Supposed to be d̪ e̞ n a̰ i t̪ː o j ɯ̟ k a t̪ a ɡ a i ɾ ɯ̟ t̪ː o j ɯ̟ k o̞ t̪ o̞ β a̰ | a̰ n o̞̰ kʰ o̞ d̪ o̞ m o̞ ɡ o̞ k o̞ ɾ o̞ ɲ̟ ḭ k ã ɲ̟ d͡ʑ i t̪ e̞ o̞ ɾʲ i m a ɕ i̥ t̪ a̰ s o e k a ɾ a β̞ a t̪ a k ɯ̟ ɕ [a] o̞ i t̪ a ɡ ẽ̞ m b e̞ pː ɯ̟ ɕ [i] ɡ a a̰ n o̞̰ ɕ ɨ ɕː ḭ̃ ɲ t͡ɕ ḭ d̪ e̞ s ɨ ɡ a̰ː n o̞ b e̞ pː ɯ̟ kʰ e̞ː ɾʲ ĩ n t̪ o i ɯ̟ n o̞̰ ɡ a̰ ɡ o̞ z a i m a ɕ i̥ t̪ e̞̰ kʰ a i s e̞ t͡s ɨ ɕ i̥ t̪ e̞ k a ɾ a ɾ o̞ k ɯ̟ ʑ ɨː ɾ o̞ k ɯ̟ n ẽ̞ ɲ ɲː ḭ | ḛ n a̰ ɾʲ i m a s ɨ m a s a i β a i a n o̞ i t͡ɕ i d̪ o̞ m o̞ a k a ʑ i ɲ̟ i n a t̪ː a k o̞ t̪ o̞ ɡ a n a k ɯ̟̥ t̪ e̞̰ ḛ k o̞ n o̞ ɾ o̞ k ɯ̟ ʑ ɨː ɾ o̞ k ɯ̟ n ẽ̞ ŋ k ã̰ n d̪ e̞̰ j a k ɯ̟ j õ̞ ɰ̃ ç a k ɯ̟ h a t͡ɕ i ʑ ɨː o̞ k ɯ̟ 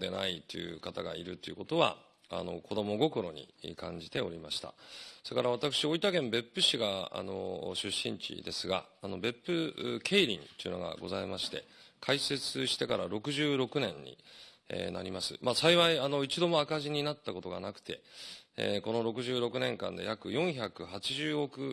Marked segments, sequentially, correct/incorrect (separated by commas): incorrect, correct